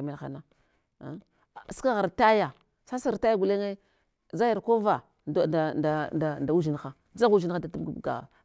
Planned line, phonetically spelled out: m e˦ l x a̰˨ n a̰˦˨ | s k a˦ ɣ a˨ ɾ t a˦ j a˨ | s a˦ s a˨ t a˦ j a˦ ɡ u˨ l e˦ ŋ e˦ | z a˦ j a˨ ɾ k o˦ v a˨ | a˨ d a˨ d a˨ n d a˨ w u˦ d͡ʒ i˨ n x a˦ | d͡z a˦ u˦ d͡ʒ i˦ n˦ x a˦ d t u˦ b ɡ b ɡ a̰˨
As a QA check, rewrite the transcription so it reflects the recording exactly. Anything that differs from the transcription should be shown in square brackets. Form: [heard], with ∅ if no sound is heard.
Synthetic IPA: m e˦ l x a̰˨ n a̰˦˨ | s k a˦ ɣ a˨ ɾ t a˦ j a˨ | s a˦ s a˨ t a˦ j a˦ ɡ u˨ l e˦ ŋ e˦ | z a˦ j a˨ ɾ k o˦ v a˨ | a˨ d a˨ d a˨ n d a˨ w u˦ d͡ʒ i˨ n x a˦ | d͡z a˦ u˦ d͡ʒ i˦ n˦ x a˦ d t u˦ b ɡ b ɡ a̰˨